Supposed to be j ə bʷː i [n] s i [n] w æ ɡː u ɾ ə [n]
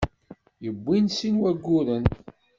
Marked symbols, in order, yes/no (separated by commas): yes, yes, yes